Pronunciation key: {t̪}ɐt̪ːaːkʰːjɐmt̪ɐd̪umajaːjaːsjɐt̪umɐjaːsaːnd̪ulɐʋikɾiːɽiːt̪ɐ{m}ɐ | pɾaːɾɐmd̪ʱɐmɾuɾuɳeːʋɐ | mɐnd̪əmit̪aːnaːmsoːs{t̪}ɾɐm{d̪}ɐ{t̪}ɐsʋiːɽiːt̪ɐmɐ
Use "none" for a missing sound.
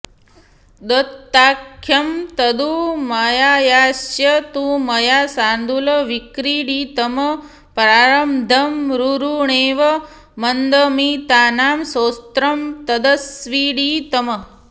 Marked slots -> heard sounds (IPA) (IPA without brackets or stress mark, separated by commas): d̪, m, t̪, t̪, d̪